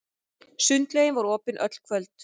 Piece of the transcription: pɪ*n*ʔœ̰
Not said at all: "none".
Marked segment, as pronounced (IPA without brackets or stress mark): n